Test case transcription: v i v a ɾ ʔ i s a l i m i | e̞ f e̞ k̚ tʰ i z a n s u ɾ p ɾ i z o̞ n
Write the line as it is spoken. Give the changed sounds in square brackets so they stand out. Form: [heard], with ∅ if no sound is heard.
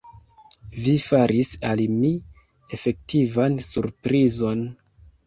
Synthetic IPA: v i [f] a ɾ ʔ i s a l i m i | e̞ f e̞ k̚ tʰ i [v] a n s u ɾ p ɾ i z o̞ n